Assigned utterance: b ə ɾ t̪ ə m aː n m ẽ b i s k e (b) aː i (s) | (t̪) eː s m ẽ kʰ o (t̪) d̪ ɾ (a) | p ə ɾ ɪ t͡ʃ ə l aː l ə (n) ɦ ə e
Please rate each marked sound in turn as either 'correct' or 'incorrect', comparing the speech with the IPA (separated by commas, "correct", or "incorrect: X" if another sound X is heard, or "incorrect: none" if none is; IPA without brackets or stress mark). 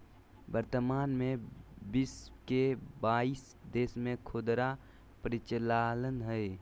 correct, correct, incorrect: d̪, incorrect: none, correct, correct